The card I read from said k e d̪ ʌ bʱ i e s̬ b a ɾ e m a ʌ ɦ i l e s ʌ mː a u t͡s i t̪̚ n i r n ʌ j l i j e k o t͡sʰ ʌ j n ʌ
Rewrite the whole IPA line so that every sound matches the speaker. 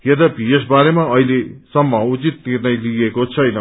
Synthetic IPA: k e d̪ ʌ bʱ i e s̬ b a ɾ e m a ʌ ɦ i l e s ʌ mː ʌ u t͡s i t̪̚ n i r n ʌ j l i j e k o t͡sʰ ʌ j n ʌ